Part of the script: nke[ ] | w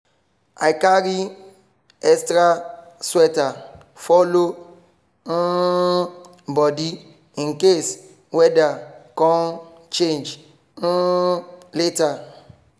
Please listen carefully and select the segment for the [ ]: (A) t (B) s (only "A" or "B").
B